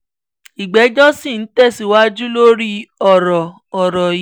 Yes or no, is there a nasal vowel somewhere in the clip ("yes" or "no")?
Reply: no